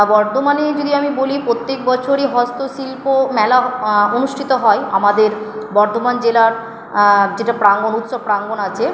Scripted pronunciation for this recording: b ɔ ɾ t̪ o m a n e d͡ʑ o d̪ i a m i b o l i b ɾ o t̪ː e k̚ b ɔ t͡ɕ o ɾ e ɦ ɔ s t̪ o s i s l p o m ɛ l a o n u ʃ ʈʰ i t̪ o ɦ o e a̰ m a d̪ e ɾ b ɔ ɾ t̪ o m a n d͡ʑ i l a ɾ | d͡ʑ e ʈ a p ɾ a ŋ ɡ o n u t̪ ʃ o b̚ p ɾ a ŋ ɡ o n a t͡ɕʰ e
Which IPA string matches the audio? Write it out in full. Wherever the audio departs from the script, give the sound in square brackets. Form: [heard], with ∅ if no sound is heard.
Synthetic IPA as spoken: b ɔ ɾ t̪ o m a n e d͡ʑ o d̪ i a m i b o l i [p] ɾ o t̪ː e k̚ b ɔ [t͡ɕʰ] o ɾ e ɦ ɔ s t̪ o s i [∅] l p o m ɛ l a o n u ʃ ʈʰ i t̪ o ɦ [ɔ] e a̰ m a d̪ e ɾ b ɔ ɾ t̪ o m a n d͡ʑ [e] l a ɾ | d͡ʑ e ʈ a p ɾ a ŋ ɡ o n u t̪ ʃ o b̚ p ɾ a ŋ ɡ o n a t͡ɕʰ e